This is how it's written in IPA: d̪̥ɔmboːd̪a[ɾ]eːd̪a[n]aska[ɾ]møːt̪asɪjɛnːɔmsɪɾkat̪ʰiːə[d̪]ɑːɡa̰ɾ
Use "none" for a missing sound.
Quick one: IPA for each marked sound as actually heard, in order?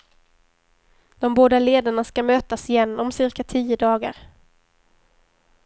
l, ɳ, none, d̪

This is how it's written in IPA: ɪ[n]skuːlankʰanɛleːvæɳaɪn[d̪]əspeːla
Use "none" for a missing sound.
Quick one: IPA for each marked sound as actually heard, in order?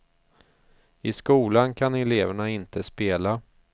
none, t̪

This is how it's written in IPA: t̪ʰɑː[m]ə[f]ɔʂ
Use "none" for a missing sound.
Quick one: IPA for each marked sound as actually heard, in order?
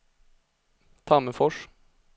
m, f

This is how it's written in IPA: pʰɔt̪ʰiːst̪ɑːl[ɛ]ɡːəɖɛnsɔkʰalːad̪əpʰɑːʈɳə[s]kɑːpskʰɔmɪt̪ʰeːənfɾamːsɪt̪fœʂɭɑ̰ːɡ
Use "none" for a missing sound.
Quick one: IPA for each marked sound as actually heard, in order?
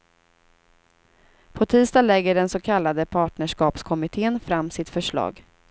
ɛ, ʂ

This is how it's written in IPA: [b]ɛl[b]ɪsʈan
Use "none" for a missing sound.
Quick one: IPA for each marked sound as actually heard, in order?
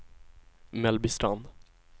m, b

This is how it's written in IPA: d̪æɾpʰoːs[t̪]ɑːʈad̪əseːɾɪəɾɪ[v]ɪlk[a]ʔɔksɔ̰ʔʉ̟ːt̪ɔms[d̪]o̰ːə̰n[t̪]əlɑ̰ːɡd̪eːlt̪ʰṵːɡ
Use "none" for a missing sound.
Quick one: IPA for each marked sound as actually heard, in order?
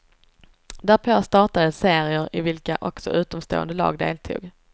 t̪, v, a, t̪, d̪

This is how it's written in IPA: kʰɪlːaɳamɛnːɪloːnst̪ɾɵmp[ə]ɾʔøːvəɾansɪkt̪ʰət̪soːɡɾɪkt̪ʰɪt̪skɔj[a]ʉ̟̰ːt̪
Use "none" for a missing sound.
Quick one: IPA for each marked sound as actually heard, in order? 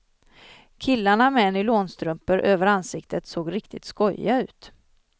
ə, a

